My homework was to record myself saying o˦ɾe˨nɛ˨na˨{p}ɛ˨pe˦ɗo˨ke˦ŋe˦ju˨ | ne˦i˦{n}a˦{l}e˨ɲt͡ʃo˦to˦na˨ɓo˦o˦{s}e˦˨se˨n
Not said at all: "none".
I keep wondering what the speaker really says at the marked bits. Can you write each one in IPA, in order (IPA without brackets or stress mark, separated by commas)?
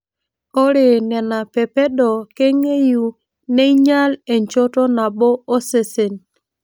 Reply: p, ɲ, l, s